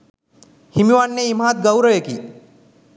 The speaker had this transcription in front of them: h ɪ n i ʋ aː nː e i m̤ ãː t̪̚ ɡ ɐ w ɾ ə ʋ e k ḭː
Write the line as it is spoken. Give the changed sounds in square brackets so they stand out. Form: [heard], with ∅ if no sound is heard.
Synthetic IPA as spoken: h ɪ [m] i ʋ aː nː e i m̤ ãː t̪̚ ɡ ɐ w ɾ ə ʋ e k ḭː

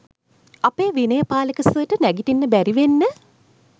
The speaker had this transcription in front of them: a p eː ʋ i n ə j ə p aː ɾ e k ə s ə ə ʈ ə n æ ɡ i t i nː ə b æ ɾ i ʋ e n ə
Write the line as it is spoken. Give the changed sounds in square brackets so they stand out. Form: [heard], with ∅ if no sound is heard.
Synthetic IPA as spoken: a p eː ʋ i n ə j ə p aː [l] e k ə s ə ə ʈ ə n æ ɡ i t i nː ə b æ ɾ i ʋ e [nː] ə

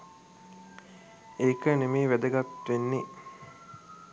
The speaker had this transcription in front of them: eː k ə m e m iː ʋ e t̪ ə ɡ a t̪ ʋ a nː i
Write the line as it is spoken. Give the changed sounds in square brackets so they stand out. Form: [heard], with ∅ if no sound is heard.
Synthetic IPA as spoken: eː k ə [n] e m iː ʋ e [d̪] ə ɡ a t̪ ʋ [e] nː i

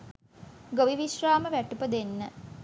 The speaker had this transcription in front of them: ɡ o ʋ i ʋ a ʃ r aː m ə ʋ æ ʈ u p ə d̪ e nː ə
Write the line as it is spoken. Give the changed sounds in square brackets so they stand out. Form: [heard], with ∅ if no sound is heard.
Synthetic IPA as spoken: ɡ o ʋ i ʋ [i] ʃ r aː m ə ʋ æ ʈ u p ə d̪ e nː ə

